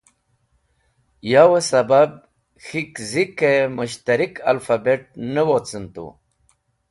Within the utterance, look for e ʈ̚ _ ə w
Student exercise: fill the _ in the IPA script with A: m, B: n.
B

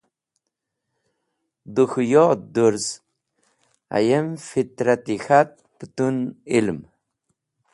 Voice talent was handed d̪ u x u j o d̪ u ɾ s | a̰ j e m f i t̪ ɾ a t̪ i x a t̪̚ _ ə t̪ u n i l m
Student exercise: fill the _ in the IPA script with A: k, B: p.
B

